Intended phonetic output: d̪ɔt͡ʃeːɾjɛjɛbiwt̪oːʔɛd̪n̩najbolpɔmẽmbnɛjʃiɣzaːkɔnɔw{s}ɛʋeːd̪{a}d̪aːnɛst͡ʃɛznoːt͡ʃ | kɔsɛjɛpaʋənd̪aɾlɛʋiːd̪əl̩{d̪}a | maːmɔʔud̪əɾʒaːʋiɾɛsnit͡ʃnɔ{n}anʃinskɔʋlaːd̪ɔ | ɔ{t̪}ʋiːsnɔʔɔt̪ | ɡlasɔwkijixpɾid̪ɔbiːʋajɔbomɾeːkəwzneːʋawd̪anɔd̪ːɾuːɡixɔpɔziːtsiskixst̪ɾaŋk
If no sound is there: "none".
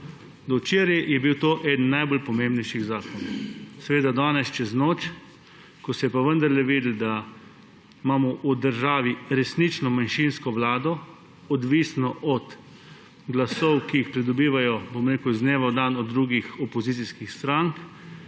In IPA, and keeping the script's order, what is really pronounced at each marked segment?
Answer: s, a, d̪, m, d̪

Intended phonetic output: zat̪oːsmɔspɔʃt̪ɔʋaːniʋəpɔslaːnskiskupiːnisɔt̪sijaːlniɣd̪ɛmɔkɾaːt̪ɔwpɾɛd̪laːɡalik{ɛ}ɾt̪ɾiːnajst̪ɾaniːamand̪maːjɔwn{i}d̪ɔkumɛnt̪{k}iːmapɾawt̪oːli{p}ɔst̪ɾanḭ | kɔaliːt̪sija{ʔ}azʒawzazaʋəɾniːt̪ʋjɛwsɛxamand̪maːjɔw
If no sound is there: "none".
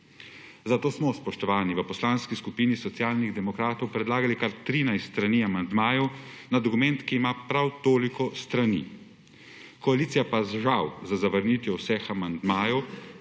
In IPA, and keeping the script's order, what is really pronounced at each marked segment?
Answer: a, a, k, k, p

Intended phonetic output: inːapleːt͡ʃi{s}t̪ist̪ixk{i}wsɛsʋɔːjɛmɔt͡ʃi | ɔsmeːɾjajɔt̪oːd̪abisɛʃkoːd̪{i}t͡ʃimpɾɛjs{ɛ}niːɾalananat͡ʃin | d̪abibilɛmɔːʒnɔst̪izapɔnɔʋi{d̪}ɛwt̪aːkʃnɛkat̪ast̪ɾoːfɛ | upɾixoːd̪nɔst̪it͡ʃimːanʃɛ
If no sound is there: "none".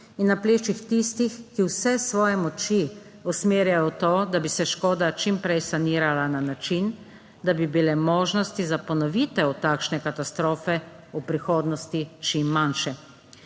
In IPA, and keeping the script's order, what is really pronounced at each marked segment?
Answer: x, i, a, a, t̪

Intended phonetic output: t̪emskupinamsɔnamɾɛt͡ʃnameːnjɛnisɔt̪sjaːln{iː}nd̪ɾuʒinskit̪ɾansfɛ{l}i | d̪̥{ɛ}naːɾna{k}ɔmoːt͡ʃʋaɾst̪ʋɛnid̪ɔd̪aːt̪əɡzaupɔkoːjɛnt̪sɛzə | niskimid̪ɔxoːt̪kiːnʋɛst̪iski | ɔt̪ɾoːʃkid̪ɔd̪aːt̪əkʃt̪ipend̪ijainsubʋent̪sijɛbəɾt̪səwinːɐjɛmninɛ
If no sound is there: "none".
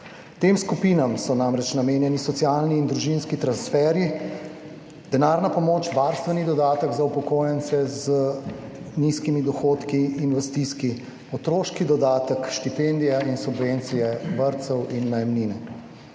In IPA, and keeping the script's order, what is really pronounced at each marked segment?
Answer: iː, ɾ, ɛ, p

